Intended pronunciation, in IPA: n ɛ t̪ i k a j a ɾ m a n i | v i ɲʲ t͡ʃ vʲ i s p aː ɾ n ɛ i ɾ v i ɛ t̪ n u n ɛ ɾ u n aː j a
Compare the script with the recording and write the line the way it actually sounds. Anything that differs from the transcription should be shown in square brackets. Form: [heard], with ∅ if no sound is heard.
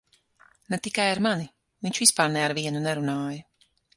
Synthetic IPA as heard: n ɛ t̪ i k a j a ɾ m a n i | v i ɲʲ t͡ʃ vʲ i s p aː ɾ n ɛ [a] ɾ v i ɛ [∅] n u n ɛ ɾ u n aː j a